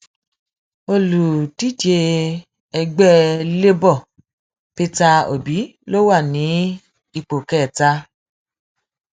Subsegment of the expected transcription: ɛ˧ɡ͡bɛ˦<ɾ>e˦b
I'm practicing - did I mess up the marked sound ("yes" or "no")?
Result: yes